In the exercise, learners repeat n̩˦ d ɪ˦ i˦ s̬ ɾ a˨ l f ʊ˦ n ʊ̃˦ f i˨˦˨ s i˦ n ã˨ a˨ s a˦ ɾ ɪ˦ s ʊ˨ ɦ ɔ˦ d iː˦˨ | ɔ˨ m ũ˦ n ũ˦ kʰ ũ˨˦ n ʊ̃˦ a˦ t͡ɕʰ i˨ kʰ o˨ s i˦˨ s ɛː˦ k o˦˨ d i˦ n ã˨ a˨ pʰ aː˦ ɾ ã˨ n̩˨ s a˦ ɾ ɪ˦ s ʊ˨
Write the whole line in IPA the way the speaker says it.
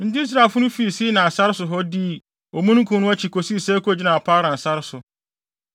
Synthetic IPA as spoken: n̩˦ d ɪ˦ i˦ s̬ ɾ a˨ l f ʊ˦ n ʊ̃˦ f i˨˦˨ s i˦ n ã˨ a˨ s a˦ ɾ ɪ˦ s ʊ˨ ɦ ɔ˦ d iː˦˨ | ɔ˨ m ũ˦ n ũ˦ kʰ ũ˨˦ n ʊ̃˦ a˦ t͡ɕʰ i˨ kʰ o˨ s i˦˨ s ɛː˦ k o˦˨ d͡ʑ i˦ n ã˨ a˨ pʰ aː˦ ɾ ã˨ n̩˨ s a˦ ɾ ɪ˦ s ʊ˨